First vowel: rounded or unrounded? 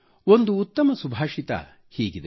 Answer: rounded